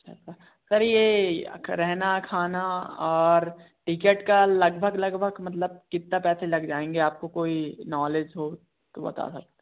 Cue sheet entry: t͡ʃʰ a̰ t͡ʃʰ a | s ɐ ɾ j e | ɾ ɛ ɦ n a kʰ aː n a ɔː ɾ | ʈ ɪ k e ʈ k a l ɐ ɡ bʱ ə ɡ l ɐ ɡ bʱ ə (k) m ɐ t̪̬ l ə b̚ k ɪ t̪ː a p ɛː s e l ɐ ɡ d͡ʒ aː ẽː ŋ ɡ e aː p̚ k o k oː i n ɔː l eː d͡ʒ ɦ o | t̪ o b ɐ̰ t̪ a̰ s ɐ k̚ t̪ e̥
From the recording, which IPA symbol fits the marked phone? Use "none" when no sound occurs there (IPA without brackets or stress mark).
ɡ